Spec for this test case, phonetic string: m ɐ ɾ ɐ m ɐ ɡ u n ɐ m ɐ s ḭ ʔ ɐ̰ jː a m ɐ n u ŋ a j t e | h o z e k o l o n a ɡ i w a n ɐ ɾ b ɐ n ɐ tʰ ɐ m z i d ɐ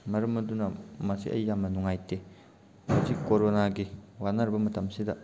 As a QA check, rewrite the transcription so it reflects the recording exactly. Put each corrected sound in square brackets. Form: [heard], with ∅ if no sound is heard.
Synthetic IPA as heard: m ɐ ɾ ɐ m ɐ [d] u n ɐ m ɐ s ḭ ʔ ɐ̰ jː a m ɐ n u ŋ a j t e | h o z [i] k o [ɾ] o n a ɡ i w a n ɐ ɾ b ɐ [m] ɐ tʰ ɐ m [s] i d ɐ